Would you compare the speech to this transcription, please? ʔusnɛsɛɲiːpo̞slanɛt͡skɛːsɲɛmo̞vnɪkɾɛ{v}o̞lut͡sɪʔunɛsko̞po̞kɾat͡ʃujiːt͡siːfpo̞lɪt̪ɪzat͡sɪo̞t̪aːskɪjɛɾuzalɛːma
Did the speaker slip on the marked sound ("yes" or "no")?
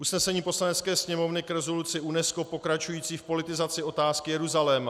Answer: yes